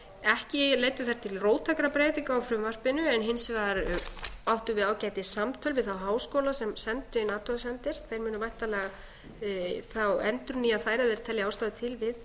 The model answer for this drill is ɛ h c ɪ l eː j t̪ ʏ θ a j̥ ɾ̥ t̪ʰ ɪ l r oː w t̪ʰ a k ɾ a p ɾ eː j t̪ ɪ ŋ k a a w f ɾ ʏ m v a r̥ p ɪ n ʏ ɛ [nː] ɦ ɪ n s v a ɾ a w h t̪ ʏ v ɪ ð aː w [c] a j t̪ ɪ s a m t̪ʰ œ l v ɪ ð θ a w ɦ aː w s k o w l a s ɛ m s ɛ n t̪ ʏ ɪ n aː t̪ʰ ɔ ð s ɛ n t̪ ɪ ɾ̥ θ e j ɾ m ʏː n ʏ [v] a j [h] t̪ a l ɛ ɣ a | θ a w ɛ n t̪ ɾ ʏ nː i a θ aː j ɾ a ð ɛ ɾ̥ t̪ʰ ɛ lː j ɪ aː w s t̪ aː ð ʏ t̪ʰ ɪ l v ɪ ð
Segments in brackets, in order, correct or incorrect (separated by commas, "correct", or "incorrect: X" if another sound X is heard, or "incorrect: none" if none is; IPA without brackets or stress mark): incorrect: n, correct, correct, correct